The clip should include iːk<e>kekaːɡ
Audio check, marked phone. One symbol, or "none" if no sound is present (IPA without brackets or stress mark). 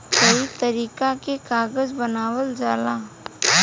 a